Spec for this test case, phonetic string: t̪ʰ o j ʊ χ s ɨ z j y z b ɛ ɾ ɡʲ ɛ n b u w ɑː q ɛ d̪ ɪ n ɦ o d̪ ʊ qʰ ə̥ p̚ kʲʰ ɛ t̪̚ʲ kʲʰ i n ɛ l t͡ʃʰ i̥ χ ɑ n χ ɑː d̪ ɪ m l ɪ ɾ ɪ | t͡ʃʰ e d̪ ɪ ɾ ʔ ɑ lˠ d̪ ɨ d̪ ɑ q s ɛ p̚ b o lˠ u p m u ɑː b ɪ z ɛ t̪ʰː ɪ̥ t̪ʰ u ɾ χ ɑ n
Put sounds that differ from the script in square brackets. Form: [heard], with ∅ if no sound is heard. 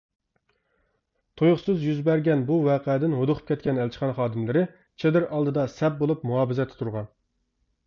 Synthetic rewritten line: t̪ʰ o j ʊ χ s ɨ z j y z b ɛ ɾ ɡʲ ɛ n b u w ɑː q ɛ d̪ ɪ n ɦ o d̪ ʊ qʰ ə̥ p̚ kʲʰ ɛ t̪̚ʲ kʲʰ [ɛ] n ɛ l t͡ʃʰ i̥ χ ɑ n χ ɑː d̪ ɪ m l ɪ ɾ ɪ | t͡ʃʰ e d̪ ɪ ɾ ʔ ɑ lˠ d̪ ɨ d̪ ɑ [∅] s ɛ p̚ b o lˠ u p m u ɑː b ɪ z ɛ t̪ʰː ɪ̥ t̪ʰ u ɾ [ʁ] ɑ n